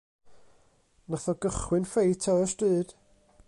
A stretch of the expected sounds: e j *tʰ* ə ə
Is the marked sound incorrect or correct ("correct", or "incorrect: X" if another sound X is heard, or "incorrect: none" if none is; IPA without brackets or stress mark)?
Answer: correct